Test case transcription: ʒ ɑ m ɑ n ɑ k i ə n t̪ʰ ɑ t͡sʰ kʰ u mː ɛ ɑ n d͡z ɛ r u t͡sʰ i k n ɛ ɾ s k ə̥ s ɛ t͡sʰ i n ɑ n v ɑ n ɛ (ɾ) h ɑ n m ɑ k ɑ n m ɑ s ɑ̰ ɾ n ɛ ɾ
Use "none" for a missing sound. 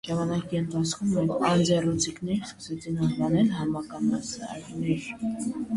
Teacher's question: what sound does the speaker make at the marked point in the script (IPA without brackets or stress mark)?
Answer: l